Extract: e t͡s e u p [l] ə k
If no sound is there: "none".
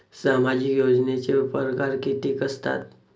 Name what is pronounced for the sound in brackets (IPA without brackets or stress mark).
ɾ